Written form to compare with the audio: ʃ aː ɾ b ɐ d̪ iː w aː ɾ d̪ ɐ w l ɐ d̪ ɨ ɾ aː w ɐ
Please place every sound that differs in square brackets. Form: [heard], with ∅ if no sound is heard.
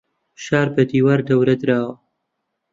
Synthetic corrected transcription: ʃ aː ɾ b ɐ d̪ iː w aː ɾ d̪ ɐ w [ɾ] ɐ d̪ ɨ ɾ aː w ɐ